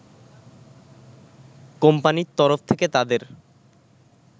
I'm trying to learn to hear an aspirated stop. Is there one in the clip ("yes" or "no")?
yes